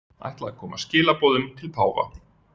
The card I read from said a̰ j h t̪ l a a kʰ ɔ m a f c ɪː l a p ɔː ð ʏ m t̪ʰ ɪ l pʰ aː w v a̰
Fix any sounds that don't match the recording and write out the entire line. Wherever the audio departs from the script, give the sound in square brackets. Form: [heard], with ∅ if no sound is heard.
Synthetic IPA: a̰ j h t̪ l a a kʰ [ɔː] m a [s] c ɪː l a p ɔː ð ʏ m t̪ʰ ɪ l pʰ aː w v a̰